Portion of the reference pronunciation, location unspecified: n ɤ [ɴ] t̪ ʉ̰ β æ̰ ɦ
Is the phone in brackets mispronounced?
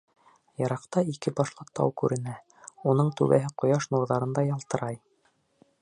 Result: no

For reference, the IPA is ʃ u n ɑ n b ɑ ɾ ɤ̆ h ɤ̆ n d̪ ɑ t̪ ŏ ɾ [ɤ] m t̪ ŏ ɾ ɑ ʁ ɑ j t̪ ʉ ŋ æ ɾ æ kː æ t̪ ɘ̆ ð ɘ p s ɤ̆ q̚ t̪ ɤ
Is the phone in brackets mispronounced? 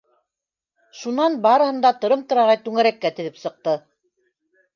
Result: no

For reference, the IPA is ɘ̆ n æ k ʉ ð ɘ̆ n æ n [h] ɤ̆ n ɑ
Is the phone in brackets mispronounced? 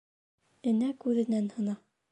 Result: no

